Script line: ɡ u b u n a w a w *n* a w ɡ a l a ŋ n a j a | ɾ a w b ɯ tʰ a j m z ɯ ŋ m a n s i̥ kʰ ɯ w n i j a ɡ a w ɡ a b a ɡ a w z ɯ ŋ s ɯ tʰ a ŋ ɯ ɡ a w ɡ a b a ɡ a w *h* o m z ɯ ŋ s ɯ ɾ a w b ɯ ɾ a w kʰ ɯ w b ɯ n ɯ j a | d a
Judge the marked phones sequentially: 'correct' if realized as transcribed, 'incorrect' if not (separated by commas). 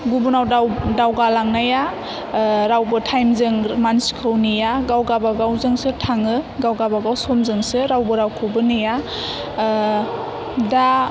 incorrect, incorrect